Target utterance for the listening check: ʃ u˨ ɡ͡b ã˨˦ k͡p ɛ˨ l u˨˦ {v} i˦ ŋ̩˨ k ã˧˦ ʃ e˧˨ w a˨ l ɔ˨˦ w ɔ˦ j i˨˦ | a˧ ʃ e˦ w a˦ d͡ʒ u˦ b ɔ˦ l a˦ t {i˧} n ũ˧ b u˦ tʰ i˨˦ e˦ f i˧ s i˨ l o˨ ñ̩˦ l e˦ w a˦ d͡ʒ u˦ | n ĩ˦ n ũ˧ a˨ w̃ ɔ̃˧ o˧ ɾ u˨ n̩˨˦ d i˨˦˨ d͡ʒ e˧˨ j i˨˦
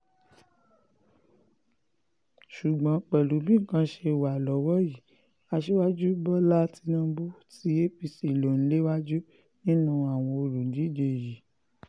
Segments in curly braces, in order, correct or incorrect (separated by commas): incorrect, correct